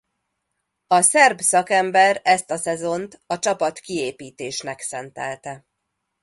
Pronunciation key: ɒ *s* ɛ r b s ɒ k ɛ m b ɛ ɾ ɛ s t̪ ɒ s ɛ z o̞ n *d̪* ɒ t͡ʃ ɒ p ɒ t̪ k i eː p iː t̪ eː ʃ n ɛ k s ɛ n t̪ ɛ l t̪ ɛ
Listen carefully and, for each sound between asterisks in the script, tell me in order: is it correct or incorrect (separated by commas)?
correct, incorrect